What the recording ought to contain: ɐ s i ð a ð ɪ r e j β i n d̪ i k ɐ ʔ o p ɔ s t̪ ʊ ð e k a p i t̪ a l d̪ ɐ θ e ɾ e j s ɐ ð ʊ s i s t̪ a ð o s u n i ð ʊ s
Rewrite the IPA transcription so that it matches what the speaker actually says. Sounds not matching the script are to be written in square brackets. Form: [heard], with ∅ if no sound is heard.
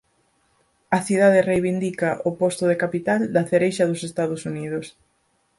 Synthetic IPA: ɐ [θ] i ð a ð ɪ r e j β i n d̪ i k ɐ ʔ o p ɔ s t̪ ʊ ð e k a p i t̪ a l d̪ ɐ θ e ɾ e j [ʃ] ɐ ð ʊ s [e] s t̪ a ð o s u n i ð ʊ s